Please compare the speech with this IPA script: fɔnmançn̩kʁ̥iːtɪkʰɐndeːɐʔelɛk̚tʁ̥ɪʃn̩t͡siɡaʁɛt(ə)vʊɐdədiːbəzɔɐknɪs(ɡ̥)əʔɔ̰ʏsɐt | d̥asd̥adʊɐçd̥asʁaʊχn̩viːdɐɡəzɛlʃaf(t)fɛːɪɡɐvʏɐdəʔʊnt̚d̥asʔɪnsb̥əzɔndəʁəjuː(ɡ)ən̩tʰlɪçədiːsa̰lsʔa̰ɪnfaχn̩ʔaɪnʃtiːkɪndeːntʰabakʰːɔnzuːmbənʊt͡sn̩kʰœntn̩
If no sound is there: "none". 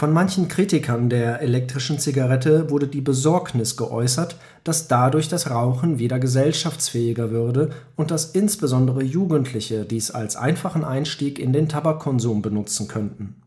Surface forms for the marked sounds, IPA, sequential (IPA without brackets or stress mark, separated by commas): ə, ɡ̥, t͡s, ɡ